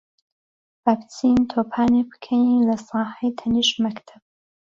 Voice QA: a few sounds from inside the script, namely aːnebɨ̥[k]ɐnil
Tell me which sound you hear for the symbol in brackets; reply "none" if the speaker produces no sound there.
kʰ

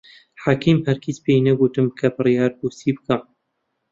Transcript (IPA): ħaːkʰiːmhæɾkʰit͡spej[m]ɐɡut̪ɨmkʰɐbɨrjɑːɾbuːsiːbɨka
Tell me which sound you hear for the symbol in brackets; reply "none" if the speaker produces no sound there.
n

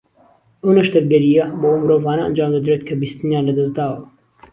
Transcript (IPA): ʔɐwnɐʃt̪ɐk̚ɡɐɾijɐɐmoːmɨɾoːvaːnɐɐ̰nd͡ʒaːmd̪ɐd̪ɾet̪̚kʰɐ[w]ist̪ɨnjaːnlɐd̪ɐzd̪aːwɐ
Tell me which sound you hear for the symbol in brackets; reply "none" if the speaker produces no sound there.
b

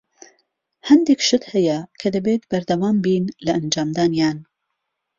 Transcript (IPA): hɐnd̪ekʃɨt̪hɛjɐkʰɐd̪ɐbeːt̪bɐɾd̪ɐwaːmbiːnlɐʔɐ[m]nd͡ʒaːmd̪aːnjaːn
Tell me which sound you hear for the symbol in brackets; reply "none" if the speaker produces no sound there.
none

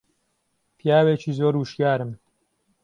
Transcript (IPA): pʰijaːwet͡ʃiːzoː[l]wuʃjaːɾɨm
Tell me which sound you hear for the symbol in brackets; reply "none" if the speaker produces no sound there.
ɾ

